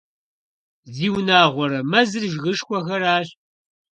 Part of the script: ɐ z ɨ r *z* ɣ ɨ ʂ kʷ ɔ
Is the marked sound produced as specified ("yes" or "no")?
no